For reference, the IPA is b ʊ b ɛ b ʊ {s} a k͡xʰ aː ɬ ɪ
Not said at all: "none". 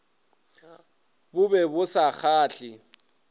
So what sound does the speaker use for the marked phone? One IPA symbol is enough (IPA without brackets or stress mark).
s